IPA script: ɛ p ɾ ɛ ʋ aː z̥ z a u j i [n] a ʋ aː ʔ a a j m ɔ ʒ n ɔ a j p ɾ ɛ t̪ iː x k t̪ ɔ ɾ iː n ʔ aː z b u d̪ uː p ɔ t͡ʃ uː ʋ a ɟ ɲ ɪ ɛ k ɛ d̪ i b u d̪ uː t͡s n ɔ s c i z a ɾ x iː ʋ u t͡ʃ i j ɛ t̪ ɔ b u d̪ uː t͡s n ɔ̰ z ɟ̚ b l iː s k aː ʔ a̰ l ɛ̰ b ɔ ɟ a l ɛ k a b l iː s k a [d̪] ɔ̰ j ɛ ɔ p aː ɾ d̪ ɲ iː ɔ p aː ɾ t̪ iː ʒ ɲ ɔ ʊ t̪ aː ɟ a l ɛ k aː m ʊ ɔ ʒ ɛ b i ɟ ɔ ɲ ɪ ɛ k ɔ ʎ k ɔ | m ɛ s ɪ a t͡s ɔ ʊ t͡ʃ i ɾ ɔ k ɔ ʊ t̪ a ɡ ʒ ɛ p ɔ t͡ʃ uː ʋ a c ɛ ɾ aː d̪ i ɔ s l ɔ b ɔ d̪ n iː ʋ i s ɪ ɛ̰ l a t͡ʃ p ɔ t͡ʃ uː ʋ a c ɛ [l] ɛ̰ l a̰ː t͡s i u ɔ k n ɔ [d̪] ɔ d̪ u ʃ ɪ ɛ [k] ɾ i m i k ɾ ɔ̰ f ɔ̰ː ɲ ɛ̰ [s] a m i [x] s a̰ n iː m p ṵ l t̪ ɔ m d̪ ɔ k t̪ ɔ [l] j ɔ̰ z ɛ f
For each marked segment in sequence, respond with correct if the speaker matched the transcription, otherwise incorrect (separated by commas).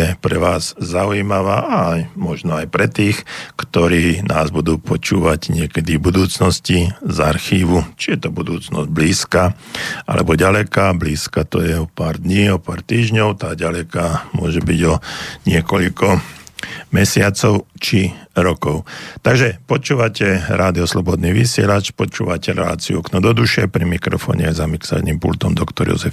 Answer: incorrect, incorrect, incorrect, correct, incorrect, incorrect, incorrect, incorrect